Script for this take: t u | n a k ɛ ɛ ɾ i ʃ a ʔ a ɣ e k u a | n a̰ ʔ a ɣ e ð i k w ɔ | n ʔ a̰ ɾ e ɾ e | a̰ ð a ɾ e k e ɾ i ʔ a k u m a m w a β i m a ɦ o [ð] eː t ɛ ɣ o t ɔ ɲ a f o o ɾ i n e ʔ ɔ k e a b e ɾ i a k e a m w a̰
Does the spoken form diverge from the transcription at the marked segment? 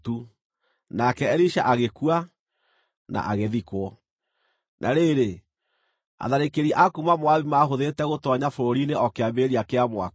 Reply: no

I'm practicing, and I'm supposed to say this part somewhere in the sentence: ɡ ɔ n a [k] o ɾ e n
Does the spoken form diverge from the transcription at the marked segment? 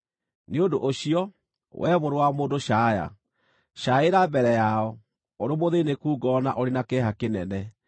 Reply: yes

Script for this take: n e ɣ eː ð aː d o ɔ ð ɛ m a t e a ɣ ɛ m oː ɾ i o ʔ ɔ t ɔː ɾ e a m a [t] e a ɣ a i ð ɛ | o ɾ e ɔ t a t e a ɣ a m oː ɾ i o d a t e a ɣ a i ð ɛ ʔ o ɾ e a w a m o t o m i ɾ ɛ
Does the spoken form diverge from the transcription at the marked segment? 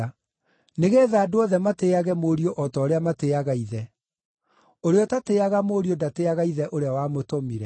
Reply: no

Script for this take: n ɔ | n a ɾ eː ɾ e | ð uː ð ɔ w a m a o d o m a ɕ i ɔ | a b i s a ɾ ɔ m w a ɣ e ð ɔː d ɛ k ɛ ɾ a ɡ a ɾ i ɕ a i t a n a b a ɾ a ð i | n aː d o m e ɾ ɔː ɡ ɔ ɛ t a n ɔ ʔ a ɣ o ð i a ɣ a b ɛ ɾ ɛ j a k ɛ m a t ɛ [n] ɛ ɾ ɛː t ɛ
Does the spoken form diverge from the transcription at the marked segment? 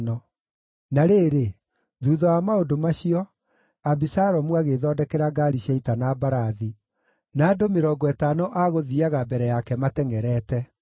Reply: yes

